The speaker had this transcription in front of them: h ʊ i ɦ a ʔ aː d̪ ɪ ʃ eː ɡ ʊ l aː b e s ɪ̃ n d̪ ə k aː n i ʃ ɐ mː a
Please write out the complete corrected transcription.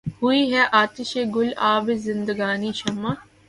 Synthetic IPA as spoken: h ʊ i ɦ ɛ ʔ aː t̪ ɪ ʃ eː ɡ ʊ l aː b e z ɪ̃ n d̪ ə ɡ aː n i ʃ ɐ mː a